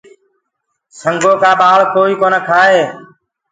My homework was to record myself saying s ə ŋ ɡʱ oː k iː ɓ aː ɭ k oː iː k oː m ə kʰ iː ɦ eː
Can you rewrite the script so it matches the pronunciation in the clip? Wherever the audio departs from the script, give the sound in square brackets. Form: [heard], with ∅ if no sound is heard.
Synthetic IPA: s ə ŋ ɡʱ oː k [aː] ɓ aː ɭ k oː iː k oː [n] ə kʰ [aː] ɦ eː